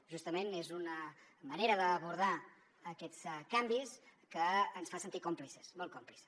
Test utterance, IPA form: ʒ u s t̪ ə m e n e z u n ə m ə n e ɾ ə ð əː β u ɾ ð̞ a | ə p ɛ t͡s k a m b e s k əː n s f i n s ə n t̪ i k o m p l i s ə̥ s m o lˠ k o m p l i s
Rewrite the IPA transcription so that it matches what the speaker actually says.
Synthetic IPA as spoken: ʒ u s t̪ ə m e n e z u n ə m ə n e ɾ ə ð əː β u ɾ ð̞ a | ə k ɛ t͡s k a m b i s k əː n s f a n s ə n t̪ i k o m p l i s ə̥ s m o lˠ k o m p l i s